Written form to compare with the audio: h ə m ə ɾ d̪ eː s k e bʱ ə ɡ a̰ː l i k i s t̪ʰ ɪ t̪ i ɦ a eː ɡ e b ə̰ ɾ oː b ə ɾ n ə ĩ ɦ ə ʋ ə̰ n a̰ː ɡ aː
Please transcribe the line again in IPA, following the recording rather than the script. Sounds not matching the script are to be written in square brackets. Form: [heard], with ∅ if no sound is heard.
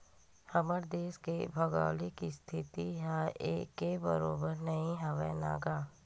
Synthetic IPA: h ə m ə ɾ d̪ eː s k e bʱ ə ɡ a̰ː l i k i s t̪ʰ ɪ t̪ i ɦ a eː [k] e b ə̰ ɾ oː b ə ɾ n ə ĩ ɦ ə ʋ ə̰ n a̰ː ɡ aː